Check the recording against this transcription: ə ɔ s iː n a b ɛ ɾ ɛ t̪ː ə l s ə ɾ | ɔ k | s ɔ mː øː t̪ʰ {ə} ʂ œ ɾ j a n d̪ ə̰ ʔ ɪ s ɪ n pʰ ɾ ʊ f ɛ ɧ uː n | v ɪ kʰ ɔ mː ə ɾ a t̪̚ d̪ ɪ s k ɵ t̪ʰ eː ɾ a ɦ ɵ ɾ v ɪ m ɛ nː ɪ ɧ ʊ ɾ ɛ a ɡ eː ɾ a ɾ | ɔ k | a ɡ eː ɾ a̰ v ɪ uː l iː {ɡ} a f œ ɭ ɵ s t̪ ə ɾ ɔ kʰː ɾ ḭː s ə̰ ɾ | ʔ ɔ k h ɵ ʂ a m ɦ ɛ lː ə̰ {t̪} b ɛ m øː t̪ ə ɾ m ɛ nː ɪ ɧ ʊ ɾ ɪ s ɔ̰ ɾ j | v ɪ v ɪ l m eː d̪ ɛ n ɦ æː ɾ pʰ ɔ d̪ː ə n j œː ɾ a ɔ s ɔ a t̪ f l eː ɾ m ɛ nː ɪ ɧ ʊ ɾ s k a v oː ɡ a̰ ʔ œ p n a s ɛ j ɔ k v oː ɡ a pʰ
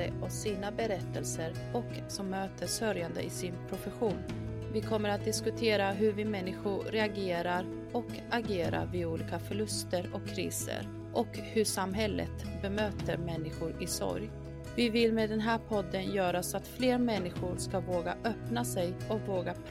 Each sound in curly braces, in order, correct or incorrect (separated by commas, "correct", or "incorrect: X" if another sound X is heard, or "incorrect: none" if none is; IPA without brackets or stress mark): correct, incorrect: k, correct